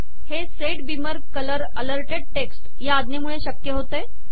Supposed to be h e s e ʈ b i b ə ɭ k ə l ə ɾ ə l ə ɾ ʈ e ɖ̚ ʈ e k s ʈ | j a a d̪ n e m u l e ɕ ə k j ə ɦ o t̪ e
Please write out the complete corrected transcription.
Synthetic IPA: h e s e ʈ b i m ə ɾ k ə l ə ɾ ə l ə ɾ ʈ e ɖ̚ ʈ e k s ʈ | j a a d̪ n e m u ɭ e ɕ ə k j ə ɦ o t̪ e

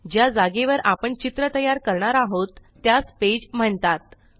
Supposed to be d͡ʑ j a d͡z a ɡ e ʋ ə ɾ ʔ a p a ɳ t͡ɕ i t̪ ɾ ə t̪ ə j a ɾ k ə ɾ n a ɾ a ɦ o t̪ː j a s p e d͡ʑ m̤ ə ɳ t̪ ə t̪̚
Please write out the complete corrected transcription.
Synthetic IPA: d͡ʑ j a d͡z a ɡ e ʋ ə ɾ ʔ a p ə ɳ t͡ɕ i t̪ ɾ ə t̪ ə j a ɾ k ə ɾ ɳ a ɾ a ɦ o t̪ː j a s p e d͡ʑ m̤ ə ɳ t̪ a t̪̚

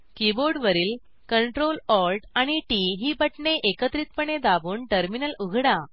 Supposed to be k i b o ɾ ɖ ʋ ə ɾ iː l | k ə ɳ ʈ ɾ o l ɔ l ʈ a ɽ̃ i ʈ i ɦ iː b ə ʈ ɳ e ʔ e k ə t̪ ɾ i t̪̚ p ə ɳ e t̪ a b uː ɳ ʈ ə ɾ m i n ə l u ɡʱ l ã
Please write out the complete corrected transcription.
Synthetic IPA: k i b o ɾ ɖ ʋ ə ɾ iː l | k ə ɳ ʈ ɾ o l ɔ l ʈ a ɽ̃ i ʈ i ɦ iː b ə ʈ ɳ e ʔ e k ə t̪ ɾ i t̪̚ p ə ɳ e d̪ a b uː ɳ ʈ ə ɾ m i n ə l u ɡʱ ɽ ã

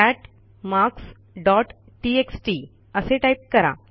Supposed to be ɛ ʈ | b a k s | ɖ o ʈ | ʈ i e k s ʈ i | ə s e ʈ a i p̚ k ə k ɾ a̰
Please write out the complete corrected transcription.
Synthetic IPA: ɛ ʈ | m a k s | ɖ ɔ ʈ | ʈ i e k s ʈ i | ə s e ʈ a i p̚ k ə ɾ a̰

